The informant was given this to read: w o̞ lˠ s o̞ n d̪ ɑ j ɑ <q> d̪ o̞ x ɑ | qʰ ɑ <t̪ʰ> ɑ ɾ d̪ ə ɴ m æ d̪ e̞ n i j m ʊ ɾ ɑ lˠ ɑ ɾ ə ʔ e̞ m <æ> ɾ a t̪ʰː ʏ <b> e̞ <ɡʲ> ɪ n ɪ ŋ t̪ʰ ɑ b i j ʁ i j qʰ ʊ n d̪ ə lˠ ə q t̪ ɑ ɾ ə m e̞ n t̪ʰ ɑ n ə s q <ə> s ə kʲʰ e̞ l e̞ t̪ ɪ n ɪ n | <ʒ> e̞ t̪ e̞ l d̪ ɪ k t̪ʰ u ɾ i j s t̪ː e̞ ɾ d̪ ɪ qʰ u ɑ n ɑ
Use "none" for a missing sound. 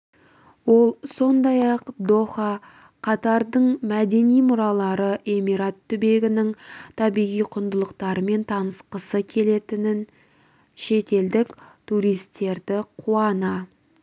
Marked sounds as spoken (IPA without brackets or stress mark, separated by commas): q, t̪, i, b, ɡʲ, ə, ʃ